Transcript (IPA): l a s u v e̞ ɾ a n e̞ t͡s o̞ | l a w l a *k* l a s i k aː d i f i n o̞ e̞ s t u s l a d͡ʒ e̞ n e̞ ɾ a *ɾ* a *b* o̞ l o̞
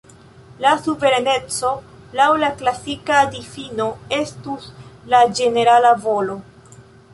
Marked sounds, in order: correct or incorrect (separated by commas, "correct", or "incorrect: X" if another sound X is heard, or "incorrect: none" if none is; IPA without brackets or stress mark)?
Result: correct, incorrect: l, incorrect: v